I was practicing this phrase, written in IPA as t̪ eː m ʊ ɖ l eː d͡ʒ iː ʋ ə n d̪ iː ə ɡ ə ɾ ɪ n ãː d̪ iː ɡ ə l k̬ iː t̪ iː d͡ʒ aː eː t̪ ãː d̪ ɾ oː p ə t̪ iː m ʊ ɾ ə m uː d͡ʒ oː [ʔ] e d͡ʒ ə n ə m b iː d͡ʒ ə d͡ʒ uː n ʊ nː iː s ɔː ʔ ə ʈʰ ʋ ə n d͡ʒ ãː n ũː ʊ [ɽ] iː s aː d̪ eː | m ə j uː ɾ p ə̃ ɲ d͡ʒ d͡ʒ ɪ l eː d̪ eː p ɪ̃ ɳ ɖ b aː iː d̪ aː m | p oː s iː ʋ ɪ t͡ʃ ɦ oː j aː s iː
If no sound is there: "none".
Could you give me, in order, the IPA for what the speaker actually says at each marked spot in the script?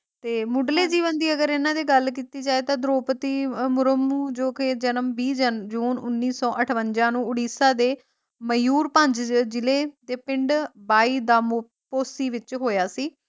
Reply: k, ɽ

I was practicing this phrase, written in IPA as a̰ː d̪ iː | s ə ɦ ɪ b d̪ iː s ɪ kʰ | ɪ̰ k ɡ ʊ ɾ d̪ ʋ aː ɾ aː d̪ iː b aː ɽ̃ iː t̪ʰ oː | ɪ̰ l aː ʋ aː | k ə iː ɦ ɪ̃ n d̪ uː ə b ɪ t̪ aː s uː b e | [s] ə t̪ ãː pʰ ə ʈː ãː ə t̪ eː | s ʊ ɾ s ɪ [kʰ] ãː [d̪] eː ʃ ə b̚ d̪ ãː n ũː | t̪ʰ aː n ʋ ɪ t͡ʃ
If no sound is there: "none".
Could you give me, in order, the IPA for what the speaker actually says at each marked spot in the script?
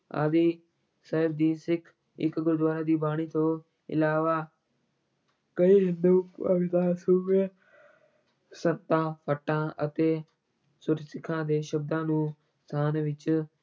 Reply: s, kʰ, d̪

